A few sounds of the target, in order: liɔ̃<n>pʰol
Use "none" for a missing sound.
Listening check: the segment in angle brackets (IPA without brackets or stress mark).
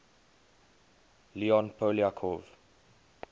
n